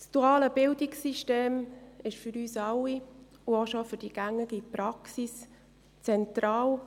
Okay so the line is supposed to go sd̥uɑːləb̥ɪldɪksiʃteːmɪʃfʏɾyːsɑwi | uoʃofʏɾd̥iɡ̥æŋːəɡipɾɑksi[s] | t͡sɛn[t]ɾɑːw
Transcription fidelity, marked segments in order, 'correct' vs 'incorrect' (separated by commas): correct, correct